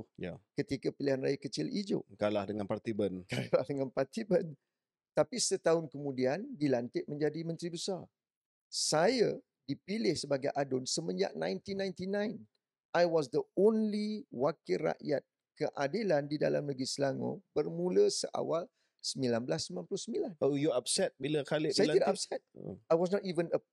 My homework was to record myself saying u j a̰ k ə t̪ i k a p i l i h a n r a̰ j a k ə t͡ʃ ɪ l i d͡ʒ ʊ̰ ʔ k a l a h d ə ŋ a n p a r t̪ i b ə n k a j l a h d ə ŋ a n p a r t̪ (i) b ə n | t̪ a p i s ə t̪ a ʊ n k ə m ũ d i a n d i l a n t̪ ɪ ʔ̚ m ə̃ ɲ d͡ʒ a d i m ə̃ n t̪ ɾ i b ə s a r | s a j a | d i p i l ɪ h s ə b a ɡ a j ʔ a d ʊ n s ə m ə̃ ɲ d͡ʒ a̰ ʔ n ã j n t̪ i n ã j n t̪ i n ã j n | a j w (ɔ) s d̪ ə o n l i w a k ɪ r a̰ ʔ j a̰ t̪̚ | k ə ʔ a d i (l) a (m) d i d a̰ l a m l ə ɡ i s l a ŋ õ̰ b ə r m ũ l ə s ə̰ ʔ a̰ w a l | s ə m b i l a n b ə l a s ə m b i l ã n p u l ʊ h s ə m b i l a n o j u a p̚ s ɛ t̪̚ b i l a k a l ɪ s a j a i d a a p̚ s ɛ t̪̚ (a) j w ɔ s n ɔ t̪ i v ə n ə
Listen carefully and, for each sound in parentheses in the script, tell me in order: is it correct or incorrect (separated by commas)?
correct, correct, correct, incorrect, correct